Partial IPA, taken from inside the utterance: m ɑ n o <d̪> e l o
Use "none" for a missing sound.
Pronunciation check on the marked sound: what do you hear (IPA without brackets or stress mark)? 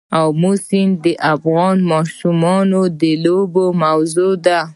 d̪